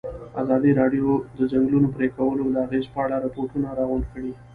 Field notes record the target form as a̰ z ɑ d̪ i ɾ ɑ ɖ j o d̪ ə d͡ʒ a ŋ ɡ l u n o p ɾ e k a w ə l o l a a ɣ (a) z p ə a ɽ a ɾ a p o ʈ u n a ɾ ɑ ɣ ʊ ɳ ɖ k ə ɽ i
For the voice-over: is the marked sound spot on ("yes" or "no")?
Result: no